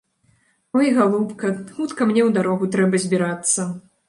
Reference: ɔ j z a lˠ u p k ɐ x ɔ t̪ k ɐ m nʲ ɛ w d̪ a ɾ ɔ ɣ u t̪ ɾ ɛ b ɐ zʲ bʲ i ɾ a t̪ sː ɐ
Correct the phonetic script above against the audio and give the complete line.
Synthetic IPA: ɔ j ɣ a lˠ u p k ɐ x u t̪ k ɐ m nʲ ɛ w d̪ a ɾ ɔ ɣ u t̪ ɾ ɛ b ɐ zʲ bʲ i ɾ a t̪ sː ɐ